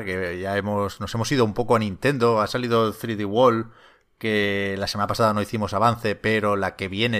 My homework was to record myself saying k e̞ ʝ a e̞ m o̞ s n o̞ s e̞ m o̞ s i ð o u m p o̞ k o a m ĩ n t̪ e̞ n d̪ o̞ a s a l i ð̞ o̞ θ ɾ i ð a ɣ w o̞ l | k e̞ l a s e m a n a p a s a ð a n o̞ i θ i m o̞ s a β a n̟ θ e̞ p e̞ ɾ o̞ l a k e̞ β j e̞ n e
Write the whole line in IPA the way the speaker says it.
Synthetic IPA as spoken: k e̞ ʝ a e̞ m o̞ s n o̞ s e̞ m o̞ s i ð o u m p o̞ k o a n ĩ n t̪ e̞ n d̪ o̞ a s a l i ð̞ o̞ θ ɾ i ð i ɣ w o̞ l | k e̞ l a s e m a n a p a s a ð a n o̞ i θ i m o̞ s a β a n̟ θ e̞ p e̞ ɾ o̞ l a k e̞ β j e̞ n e